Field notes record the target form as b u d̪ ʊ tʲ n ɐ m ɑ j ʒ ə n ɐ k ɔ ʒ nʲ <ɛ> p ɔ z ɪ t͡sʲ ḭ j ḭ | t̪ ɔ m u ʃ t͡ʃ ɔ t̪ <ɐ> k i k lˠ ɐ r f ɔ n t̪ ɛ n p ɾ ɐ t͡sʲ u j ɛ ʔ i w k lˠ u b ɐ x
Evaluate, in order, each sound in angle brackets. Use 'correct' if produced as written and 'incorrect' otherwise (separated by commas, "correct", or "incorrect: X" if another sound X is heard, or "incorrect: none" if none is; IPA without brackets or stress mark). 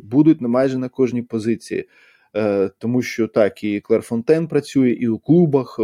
incorrect: i, incorrect: ɑ